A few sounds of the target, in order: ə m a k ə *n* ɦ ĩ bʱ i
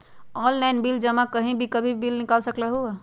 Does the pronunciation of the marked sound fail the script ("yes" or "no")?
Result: yes